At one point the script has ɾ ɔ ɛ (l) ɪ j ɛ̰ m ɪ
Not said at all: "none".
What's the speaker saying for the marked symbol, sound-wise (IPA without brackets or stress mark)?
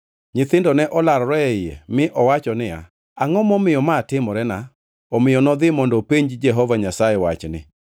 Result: none